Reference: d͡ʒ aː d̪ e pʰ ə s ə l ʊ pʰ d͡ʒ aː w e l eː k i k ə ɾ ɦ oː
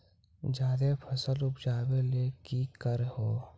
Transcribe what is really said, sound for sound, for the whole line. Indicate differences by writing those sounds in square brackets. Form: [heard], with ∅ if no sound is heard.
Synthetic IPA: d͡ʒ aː d̪ e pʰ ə s ə l ʊ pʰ d͡ʒ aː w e l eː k i k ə ɾ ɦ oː